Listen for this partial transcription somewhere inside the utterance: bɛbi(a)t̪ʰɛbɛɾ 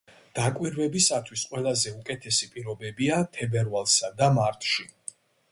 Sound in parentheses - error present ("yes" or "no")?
no